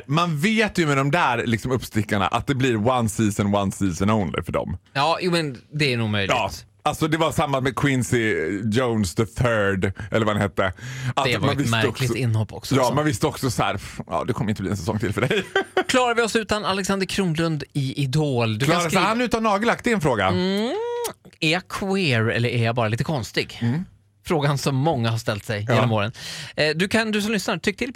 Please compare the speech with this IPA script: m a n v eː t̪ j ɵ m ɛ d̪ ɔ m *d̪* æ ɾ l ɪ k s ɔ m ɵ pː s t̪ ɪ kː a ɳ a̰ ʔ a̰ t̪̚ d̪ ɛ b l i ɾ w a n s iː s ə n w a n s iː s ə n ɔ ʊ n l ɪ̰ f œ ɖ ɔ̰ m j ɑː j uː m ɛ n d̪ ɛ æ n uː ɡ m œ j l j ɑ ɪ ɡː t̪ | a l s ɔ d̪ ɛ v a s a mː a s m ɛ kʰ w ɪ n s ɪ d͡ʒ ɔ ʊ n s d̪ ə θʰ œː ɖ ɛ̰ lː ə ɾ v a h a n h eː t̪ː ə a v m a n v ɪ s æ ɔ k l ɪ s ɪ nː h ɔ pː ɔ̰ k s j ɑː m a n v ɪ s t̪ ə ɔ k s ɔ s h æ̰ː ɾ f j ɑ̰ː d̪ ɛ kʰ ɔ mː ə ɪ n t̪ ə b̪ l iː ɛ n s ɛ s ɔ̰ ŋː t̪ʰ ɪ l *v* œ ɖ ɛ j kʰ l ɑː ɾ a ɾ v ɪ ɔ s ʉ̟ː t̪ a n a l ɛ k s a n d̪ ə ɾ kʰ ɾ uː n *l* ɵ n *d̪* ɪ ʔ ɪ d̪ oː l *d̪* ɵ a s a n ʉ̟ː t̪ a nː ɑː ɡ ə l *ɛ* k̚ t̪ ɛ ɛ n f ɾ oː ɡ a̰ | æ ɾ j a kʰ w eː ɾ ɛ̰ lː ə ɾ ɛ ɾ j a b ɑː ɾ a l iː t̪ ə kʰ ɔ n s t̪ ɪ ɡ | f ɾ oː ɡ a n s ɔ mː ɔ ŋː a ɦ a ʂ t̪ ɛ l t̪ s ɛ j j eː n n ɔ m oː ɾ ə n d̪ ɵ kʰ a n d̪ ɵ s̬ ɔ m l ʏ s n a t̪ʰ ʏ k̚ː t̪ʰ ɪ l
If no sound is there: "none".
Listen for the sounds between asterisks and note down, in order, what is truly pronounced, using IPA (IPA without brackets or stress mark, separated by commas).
d̪, f, l, d̪, d̪, a